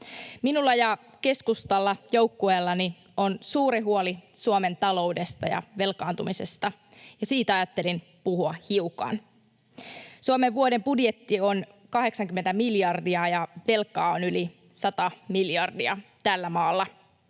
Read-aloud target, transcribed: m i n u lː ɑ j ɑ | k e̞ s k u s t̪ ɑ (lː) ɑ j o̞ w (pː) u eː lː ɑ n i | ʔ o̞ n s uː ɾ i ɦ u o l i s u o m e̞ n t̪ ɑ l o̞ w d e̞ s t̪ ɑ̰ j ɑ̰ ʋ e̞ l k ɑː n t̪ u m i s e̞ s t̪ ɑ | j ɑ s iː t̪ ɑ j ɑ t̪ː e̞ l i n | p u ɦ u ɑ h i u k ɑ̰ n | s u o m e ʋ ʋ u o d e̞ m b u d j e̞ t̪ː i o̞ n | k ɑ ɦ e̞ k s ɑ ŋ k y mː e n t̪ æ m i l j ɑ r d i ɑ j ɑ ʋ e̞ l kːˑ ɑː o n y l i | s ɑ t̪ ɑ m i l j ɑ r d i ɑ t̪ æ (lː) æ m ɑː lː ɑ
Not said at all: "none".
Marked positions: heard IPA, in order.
lː, kː, lː

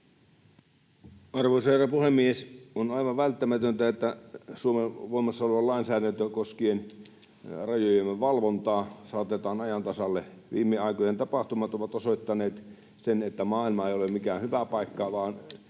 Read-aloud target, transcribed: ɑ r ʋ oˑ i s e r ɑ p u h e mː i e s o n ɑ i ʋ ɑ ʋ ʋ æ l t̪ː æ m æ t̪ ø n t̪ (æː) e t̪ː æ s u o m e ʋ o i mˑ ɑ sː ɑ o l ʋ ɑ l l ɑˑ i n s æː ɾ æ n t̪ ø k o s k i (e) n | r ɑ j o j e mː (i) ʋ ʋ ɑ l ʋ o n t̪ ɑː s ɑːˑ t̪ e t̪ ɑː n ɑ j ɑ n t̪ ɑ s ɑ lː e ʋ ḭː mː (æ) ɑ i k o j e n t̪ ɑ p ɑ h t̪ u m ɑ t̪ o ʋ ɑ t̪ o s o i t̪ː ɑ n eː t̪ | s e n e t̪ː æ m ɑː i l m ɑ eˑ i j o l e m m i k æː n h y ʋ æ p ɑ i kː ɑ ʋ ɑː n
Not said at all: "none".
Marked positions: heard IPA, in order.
æ, e, e, e

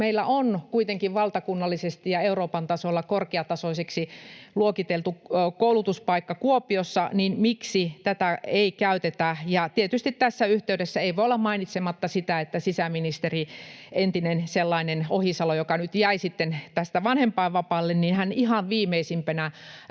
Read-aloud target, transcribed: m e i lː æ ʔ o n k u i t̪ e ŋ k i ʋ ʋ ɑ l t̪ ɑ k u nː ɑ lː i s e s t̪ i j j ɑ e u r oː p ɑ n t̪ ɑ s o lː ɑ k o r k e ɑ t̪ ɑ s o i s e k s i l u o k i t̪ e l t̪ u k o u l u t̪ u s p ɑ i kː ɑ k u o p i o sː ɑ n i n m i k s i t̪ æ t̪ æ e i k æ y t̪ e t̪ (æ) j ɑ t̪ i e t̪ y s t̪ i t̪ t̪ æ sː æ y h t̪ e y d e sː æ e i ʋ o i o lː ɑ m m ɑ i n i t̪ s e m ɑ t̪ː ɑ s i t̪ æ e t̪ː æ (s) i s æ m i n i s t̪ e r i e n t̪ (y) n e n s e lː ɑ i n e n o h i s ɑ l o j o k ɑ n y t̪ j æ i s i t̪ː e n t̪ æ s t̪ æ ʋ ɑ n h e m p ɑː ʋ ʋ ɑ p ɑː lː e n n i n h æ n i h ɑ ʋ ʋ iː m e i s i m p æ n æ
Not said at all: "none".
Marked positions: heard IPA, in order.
æ, s, i

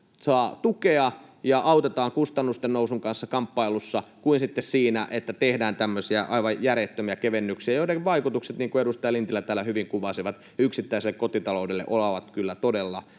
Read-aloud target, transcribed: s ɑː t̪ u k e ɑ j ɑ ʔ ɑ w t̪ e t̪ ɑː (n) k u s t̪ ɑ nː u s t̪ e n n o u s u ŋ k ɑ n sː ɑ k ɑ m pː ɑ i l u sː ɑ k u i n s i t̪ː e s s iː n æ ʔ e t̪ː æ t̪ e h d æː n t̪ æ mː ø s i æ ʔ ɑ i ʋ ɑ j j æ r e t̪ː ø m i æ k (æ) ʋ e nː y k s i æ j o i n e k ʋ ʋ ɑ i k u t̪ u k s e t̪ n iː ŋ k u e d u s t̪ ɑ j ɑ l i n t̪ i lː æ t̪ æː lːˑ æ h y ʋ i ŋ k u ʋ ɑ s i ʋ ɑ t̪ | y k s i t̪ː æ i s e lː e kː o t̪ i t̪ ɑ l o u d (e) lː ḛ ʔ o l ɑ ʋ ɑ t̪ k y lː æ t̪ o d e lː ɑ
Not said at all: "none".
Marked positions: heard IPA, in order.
ŋ, e, e

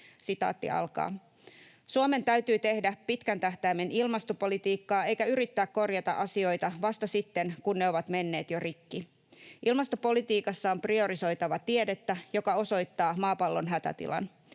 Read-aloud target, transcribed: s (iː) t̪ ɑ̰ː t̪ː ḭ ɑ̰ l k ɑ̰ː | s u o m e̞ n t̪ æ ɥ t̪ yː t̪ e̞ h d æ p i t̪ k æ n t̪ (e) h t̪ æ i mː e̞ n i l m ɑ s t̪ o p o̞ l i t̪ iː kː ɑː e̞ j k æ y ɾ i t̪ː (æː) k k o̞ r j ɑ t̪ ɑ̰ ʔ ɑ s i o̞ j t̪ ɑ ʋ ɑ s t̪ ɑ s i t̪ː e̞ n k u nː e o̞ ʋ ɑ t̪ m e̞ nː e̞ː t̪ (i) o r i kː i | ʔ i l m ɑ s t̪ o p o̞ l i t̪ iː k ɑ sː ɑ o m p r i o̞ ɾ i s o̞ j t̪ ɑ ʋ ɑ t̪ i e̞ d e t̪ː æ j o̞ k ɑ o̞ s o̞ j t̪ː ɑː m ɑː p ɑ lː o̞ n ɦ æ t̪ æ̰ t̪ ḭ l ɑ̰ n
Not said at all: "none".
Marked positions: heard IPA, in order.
i, æ, æː, j

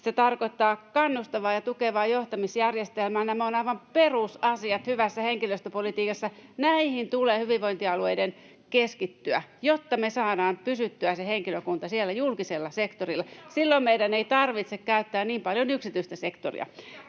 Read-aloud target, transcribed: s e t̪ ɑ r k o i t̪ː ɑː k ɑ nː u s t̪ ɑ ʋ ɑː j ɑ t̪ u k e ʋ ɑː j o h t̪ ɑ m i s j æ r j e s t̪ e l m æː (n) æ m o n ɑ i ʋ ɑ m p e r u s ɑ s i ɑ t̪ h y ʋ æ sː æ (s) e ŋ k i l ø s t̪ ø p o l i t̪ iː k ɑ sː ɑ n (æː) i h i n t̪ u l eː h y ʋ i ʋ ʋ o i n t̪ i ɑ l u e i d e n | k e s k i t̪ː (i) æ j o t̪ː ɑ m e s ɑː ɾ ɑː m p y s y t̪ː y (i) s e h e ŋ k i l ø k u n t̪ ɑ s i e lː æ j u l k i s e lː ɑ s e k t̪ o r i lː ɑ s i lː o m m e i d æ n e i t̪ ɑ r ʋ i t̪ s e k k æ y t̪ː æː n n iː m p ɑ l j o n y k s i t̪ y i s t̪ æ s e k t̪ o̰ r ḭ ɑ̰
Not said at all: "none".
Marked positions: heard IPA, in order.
n, h, æ, y, æ

